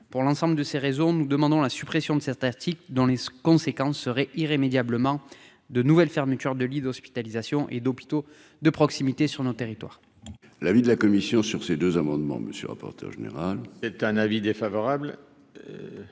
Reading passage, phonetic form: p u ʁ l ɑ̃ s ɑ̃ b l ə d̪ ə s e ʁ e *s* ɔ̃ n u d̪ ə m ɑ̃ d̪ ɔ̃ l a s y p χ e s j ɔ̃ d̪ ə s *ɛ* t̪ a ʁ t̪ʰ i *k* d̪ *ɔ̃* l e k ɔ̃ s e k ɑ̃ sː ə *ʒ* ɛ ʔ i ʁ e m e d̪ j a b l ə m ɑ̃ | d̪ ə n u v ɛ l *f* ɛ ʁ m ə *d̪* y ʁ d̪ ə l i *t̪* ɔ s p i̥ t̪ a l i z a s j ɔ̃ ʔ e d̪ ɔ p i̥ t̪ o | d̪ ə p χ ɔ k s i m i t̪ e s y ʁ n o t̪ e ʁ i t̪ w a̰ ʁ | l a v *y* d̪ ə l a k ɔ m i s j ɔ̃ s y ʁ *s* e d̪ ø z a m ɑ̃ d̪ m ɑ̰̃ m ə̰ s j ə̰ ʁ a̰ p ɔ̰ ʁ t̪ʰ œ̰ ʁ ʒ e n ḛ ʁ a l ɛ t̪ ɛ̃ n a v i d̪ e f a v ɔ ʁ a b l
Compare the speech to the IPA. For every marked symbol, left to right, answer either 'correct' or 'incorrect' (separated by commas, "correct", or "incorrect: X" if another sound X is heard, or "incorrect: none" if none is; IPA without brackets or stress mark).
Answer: incorrect: z, correct, correct, correct, incorrect: ʁ, correct, incorrect: t̪, incorrect: d̪, incorrect: i, correct